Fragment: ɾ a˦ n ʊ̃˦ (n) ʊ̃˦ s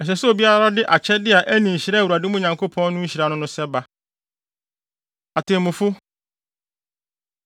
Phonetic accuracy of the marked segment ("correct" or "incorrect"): correct